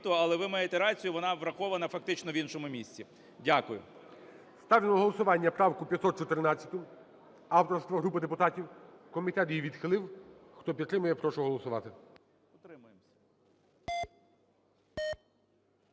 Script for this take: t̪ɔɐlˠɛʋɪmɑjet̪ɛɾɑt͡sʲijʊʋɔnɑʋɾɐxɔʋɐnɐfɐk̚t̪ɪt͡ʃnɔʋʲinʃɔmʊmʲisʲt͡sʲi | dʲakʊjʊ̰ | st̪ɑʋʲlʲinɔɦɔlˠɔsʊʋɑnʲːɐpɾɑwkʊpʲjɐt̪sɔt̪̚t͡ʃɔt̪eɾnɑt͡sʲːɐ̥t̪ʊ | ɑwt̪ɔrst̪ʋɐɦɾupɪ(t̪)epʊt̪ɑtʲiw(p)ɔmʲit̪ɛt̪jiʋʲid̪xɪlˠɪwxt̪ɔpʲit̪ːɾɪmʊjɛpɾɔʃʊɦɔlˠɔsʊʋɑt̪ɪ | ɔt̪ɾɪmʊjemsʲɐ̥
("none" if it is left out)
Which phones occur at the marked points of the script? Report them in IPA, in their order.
d̪, k

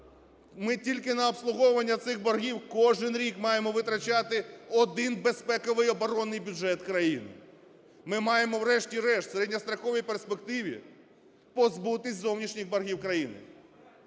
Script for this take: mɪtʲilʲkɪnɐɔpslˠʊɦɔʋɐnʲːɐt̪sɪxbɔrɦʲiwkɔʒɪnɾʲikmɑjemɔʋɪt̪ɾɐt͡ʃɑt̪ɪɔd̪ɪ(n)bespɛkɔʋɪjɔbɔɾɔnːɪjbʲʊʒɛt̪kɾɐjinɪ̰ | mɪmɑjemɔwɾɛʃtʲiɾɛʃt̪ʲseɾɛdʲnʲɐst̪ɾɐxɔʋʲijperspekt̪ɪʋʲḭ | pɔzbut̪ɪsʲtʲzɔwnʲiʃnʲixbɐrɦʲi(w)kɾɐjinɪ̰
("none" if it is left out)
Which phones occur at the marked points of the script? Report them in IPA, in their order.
n, w

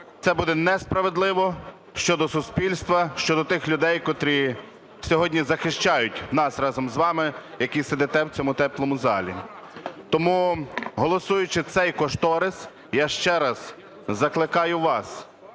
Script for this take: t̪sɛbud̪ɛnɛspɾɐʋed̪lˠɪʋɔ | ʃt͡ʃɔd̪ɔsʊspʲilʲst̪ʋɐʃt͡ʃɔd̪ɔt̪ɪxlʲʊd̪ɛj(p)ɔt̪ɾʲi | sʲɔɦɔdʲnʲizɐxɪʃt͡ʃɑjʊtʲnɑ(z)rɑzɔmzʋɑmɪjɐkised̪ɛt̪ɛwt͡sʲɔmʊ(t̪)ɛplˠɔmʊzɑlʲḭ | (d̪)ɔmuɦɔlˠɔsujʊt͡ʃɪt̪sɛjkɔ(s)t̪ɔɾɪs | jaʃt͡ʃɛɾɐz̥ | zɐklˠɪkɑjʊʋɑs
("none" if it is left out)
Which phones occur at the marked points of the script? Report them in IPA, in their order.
k, s, t̪, t̪, ʃ

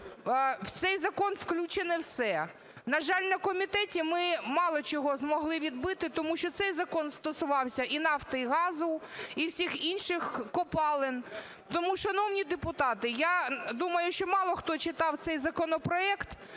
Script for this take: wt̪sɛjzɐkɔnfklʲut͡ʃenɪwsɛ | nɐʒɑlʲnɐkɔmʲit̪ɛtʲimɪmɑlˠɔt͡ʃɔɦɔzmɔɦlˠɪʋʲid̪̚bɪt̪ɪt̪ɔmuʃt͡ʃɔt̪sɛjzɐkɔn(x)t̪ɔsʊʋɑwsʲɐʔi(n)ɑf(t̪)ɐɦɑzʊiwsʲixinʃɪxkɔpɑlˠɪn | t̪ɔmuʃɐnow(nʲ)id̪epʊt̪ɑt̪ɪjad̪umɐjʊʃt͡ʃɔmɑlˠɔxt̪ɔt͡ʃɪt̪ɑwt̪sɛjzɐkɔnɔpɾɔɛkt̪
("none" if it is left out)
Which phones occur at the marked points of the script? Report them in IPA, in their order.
s, n, t̪, nʲ

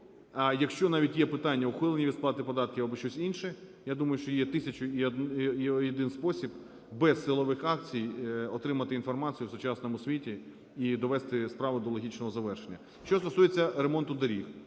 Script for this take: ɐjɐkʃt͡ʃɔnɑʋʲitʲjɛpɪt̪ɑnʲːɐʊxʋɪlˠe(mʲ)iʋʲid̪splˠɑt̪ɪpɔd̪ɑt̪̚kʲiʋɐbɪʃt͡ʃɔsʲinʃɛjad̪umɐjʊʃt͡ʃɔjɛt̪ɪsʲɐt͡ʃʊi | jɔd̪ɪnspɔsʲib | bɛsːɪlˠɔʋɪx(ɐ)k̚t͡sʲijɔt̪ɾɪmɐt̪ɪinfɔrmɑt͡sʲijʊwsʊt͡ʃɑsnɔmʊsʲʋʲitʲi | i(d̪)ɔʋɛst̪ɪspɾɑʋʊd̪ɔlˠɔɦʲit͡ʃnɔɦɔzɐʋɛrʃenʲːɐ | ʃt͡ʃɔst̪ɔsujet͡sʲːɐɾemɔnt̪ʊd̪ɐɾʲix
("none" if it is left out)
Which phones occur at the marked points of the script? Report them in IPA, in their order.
nʲ, ɑ, d̪

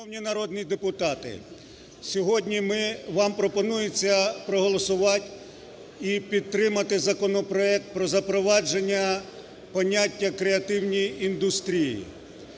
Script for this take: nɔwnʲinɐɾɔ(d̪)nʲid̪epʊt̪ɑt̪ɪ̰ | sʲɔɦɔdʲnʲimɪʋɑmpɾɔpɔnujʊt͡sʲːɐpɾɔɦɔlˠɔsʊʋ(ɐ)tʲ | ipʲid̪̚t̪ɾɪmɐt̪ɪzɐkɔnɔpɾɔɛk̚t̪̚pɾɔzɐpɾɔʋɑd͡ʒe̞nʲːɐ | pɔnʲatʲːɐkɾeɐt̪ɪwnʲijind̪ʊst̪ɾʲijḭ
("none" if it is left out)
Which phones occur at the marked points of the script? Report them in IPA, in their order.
d̪, ɑ

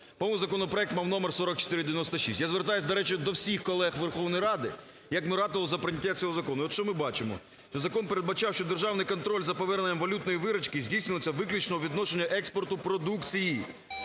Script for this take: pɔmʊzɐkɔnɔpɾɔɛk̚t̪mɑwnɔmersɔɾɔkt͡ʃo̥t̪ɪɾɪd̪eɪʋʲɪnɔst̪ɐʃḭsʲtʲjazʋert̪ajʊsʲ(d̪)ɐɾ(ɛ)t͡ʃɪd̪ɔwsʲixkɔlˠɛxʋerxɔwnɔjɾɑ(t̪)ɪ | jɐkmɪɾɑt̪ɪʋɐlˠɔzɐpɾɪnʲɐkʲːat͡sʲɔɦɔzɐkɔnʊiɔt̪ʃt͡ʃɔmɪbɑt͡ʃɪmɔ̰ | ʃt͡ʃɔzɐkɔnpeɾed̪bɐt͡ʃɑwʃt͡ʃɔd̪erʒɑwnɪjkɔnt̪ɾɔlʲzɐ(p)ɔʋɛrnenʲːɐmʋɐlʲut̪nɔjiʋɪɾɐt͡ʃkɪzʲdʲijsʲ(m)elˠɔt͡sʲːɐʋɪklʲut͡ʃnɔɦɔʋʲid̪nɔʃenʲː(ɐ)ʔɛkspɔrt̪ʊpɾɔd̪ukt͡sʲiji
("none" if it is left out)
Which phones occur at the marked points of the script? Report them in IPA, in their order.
d̪, ɛ, d̪, p, n, ɐ

